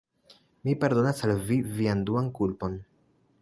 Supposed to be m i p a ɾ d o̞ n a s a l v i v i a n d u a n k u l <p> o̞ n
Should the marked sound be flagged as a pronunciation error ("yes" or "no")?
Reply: no